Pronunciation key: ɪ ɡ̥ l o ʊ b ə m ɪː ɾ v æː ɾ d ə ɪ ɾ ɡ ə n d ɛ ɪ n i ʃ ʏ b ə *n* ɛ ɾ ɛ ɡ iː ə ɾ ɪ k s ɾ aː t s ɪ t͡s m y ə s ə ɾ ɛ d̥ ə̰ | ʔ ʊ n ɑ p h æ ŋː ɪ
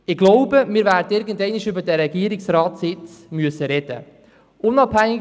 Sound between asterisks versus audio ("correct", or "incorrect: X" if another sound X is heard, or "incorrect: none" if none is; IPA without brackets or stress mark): incorrect: d